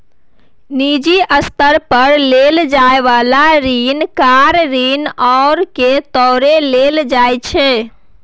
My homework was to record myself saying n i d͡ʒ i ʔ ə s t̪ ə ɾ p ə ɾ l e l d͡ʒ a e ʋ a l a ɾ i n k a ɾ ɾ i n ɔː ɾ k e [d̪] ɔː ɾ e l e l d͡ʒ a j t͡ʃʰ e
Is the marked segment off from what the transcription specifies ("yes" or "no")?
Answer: yes